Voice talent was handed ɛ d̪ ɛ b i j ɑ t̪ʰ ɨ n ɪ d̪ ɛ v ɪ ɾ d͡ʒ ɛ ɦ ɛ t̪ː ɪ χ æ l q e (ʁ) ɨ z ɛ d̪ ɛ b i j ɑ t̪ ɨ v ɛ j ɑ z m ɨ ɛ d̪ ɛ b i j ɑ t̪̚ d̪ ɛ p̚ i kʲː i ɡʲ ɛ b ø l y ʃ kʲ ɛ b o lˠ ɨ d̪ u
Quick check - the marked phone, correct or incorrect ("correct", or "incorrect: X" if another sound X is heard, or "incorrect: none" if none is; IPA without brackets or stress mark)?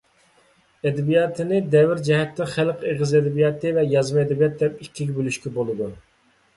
correct